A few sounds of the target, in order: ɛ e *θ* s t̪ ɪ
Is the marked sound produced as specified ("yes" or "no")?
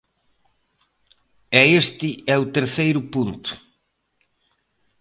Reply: no